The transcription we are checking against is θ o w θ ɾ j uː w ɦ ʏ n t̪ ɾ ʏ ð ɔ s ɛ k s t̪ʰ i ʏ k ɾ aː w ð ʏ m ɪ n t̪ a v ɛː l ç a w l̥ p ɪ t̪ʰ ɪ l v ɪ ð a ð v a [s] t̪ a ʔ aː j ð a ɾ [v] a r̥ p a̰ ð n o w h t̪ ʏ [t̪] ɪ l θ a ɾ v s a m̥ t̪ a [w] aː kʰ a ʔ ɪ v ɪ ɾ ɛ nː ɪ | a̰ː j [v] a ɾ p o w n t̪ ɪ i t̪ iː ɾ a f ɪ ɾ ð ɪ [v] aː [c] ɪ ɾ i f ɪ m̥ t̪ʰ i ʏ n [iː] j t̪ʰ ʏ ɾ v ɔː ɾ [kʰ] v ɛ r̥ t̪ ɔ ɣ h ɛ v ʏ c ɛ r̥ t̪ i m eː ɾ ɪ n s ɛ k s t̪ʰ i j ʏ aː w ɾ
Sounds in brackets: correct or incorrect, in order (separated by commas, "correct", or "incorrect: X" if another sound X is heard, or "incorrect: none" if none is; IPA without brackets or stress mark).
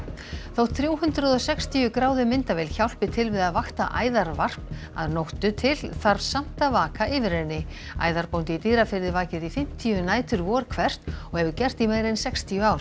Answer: incorrect: x, correct, incorrect: t̪ʰ, incorrect: v, incorrect: ð, correct, correct, incorrect: aː, correct